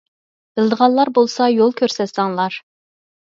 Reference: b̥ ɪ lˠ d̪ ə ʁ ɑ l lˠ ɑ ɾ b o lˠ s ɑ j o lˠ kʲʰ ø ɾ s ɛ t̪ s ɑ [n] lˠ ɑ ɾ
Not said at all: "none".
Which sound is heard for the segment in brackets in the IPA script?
ŋ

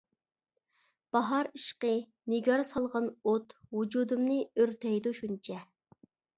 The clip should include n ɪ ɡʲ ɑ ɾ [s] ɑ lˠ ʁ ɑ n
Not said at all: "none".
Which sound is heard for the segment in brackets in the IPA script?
s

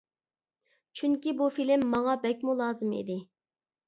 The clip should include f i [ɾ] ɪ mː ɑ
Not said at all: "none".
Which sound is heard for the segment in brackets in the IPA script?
l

